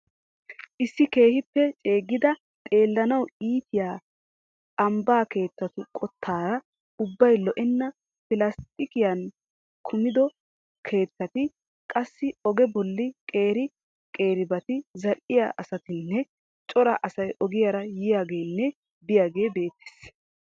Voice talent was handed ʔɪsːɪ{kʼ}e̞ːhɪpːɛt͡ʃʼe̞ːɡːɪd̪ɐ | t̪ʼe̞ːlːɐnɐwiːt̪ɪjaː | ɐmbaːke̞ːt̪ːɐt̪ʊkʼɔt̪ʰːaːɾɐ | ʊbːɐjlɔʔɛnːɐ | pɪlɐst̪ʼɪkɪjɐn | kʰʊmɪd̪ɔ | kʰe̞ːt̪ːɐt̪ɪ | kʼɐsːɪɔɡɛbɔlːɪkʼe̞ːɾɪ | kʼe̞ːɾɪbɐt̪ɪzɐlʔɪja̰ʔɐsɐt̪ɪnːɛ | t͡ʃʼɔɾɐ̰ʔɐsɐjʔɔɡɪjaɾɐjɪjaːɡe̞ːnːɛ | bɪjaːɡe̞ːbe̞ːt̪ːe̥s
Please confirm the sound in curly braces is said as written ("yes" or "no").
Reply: no